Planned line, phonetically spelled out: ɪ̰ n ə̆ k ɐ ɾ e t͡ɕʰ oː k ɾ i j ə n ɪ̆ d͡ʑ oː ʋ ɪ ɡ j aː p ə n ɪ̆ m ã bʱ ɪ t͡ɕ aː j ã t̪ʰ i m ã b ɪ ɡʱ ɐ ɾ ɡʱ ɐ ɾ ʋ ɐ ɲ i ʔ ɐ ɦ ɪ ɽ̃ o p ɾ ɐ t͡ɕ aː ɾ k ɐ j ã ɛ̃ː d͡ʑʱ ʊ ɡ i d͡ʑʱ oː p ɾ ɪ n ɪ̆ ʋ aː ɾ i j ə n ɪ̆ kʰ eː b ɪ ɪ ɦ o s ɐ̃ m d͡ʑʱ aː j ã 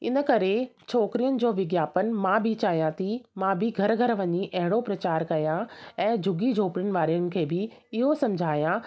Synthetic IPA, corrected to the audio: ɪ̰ n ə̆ k ɐ ɾ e t͡ɕʰ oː k ɾ i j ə n ɪ̆ d͡ʑ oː ʋ ɪ ɡ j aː p ə n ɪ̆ m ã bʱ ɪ t͡ɕ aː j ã t̪ʰ i m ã b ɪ ɡʱ ɐ ɾ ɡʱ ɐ ɾ ʋ ɐ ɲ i ʔ ɐ ɦ ɪ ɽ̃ o p ɾ ɐ t͡ɕ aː ɾ k ɐ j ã ɛ̃ː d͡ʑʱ ʊ ɡ i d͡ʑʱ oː p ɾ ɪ n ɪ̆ ʋ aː ɾ i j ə n ɪ̆ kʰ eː b ɪ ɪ ɦ o s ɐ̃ m d͡ʑʱ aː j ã